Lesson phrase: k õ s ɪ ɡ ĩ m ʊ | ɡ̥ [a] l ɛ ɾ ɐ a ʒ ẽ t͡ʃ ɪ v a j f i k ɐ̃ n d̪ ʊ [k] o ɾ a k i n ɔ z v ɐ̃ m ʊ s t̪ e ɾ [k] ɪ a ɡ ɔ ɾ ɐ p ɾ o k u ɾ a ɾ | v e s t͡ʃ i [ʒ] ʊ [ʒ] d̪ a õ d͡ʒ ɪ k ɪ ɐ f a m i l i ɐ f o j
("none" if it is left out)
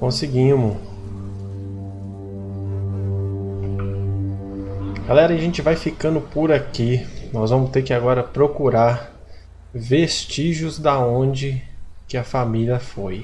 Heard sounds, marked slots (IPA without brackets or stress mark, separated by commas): a, p, k, ʒ, z